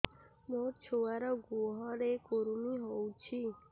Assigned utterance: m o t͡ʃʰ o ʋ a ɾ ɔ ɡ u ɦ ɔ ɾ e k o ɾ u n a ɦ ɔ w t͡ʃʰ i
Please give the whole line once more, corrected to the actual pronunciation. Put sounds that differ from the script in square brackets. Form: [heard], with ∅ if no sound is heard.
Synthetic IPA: m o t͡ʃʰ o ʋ a ɾ ɔ ɡ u ɦ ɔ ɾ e k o ɾ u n [i] ɦ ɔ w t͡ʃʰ i